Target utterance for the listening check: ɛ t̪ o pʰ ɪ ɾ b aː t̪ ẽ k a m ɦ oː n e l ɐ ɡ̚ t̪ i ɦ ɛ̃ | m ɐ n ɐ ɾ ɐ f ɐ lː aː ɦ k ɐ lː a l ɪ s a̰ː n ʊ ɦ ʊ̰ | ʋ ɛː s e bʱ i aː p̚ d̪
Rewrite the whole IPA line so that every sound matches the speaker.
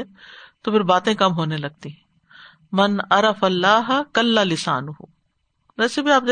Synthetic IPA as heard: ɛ t̪ o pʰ ɪ ɾ b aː t̪ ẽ k ɐ m ɦ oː n e l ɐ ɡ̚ t̪ i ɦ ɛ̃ | m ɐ n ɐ ɾ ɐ f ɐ lː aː ɦ k ɐ lː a l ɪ s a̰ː n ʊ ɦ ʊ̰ | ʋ ɛː s e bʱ i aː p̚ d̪